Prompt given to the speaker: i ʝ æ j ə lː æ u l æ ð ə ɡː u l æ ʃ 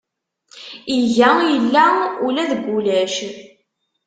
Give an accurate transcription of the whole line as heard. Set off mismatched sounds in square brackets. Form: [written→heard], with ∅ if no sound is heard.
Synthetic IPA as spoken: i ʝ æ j ə lː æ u l æ ð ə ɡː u l æ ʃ